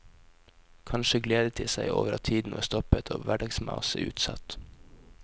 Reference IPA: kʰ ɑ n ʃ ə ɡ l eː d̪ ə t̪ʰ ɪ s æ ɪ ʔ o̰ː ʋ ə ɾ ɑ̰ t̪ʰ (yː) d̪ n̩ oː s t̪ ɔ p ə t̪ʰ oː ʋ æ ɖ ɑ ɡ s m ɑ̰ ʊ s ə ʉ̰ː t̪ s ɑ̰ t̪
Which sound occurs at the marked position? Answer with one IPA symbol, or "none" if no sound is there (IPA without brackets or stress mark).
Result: iː